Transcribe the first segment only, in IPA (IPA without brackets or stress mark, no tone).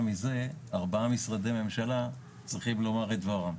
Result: m